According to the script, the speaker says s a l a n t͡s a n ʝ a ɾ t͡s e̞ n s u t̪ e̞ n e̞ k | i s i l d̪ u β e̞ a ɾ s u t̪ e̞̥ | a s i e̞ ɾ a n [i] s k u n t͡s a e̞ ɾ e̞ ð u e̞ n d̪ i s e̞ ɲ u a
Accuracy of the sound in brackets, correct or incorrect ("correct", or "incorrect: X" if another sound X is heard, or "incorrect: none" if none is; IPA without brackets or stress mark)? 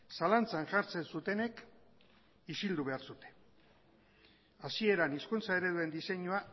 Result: correct